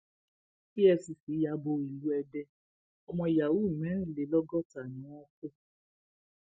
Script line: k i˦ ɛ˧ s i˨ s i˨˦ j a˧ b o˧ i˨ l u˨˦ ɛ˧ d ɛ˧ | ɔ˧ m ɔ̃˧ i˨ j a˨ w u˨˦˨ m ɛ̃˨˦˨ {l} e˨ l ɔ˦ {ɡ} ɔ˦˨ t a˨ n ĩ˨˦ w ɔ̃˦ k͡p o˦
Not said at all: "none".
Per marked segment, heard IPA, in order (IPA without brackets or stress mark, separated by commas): l, ɡ